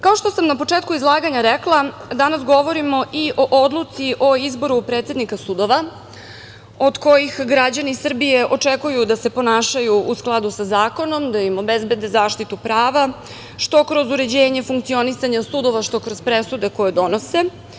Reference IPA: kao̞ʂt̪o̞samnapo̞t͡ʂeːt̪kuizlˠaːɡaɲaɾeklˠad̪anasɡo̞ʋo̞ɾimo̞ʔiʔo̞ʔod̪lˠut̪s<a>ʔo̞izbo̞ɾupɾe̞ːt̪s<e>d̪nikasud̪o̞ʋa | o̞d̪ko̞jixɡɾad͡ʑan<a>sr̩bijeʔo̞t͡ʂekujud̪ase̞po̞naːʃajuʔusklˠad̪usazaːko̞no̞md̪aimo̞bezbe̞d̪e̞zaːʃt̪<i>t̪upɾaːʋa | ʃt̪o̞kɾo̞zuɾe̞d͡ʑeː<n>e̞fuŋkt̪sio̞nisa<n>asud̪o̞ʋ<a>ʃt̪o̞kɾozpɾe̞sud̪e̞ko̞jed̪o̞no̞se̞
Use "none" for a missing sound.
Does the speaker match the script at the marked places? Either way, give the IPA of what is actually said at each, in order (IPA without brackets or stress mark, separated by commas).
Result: i, e, i, i, ɲ, ɲ, a